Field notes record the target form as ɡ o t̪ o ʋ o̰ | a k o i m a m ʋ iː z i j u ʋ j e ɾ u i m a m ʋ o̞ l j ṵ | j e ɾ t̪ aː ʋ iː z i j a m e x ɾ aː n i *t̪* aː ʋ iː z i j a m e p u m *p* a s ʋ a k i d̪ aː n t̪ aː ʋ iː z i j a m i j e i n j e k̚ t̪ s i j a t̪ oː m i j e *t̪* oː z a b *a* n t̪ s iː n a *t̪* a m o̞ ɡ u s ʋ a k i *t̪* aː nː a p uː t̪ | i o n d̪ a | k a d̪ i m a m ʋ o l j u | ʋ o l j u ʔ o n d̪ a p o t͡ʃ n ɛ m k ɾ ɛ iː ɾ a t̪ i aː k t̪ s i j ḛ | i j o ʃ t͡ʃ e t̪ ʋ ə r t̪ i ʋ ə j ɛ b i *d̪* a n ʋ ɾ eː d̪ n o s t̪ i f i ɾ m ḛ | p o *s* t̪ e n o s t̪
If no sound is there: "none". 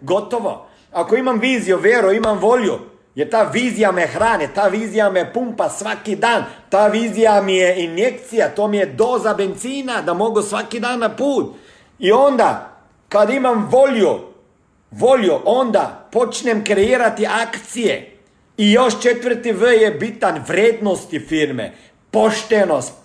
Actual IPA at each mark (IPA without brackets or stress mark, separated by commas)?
t̪, p, d̪, e, d̪, d̪, t̪, ʃ